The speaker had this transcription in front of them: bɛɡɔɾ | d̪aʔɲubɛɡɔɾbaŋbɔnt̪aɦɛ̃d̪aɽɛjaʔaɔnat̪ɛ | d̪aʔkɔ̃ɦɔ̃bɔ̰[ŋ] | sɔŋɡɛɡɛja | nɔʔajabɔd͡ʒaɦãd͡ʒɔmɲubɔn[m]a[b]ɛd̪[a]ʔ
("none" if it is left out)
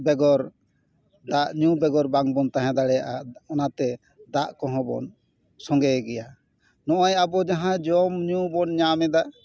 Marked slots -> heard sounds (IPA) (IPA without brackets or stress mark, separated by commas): n, ɲ, m, a